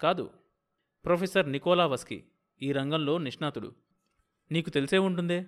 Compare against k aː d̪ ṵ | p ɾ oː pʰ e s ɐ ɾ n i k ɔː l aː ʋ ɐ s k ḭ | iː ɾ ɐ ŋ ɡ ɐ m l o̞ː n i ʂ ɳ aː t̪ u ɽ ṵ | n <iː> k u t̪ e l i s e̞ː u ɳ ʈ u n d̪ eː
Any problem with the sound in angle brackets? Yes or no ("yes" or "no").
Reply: no